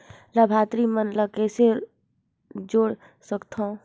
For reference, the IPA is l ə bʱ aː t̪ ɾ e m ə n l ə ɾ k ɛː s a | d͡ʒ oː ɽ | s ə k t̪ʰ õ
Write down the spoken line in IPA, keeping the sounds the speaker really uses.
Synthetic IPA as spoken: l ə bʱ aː t̪ ɾ i m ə n l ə k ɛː s e | d͡ʒ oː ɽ | s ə k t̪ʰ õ